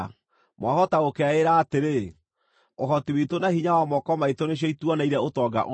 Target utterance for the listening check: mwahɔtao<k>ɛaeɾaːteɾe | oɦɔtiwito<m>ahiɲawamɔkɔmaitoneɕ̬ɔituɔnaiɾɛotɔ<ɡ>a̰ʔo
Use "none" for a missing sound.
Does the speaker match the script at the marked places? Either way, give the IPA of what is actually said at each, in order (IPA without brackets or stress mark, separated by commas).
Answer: k, n, ɡ